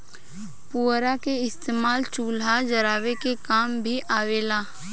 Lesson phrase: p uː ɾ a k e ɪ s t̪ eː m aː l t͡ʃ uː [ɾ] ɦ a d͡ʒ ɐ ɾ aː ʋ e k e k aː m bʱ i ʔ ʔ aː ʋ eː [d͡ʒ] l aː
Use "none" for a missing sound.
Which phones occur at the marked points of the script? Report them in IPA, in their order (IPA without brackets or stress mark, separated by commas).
l, none